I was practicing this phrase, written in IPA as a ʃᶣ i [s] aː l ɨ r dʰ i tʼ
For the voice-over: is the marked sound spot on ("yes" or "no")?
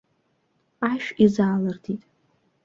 no